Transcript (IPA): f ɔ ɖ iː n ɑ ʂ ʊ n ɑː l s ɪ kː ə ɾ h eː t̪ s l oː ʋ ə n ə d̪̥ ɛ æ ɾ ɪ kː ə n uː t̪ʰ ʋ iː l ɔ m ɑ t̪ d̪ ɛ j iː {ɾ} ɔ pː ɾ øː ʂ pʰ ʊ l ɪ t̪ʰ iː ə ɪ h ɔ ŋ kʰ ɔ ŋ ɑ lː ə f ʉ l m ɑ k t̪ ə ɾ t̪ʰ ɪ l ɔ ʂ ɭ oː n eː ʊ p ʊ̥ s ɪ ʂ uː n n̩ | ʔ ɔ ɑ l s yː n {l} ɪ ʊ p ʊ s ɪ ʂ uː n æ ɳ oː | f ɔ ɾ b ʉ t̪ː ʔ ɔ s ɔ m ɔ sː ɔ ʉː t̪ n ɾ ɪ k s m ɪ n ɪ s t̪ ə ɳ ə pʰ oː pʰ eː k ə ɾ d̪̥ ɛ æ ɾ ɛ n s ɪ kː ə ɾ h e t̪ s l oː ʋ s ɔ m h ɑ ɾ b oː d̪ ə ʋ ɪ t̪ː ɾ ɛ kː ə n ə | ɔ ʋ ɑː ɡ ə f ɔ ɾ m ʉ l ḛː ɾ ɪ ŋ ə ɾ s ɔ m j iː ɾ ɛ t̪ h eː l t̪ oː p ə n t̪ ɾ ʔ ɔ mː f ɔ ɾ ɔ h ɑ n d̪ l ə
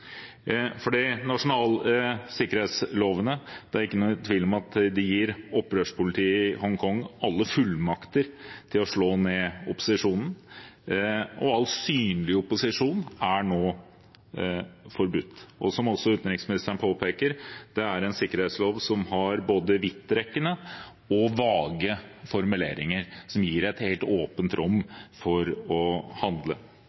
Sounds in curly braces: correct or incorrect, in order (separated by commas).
correct, correct